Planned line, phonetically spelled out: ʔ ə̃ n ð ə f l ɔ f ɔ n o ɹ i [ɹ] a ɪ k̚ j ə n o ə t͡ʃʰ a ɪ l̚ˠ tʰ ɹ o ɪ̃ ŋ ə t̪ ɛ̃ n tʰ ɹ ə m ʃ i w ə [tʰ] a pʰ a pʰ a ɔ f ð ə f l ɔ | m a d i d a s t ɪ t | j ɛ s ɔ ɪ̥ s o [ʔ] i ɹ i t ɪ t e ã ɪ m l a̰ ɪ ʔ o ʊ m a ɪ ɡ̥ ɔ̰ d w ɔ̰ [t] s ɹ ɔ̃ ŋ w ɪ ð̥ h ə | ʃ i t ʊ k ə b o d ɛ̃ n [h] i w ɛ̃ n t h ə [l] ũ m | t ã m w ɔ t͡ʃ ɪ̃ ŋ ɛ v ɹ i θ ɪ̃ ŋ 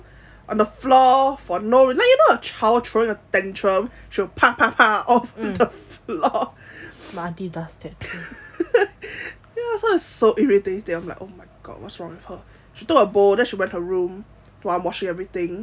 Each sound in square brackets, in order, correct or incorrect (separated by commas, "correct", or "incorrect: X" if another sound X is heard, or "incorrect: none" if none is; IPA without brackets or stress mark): incorrect: l, incorrect: pʰ, correct, correct, incorrect: ʃ, incorrect: ɹ